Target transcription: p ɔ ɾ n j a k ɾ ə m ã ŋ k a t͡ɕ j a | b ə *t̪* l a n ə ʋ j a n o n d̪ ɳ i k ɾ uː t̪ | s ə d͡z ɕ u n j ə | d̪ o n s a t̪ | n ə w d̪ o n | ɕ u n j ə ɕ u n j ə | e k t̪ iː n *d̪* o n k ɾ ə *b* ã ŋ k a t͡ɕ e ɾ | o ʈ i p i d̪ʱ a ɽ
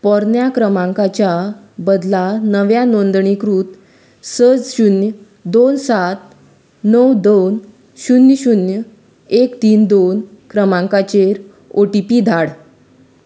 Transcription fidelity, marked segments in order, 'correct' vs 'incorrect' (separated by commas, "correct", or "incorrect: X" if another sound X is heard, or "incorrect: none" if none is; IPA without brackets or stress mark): incorrect: d̪, correct, incorrect: m